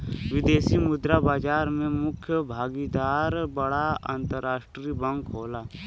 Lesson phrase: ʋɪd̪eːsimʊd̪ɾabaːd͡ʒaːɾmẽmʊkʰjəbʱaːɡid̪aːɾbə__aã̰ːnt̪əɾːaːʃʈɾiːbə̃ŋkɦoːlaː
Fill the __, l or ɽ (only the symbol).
ɽ